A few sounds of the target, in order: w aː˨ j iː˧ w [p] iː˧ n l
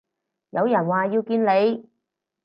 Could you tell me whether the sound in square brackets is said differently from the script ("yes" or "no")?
yes